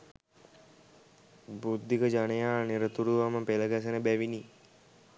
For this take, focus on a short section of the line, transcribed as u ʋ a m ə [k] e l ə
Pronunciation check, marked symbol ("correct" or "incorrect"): incorrect